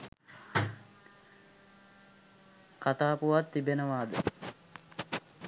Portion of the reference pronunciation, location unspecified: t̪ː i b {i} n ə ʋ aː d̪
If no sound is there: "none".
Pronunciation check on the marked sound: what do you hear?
e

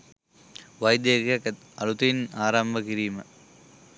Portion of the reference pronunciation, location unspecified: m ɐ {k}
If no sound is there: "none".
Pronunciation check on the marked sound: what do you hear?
none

